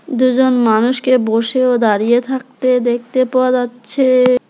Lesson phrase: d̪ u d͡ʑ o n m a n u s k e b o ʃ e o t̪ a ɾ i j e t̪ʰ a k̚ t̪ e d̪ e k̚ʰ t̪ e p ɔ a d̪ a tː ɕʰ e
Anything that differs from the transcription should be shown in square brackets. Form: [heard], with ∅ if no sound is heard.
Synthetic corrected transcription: d̪ u d͡ʑ o n m a n u [ʃ] k e b o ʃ e o [d̪] a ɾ i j e t̪ʰ a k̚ t̪ e d̪ e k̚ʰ t̪ e p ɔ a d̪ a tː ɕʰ e